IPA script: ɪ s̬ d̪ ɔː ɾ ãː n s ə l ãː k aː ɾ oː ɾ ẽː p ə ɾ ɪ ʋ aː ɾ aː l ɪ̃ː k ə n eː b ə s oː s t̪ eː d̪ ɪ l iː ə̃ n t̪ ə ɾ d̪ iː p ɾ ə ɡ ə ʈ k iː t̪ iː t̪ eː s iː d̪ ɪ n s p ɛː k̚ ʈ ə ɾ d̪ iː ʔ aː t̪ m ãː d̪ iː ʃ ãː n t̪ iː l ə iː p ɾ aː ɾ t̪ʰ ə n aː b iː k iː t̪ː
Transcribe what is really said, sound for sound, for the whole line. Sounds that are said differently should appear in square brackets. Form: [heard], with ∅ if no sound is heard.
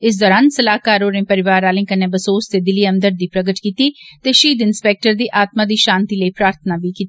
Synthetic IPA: ɪ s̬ d̪ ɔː ɾ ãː n s ə l [aː] k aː ɾ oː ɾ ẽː p ə ɾ ɪ ʋ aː ɾ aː l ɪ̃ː k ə n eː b ə s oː s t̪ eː d̪ ɪ l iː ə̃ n [d̪] ə ɾ d̪ iː p ɾ ə ɡ ə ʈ k iː t̪ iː t̪ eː [ʃ] iː d̪ ɪ n s p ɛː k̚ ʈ ə ɾ d̪ iː ʔ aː t̪ m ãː d̪ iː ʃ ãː n t̪ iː l ə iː p ɾ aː ɾ t̪ʰ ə n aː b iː k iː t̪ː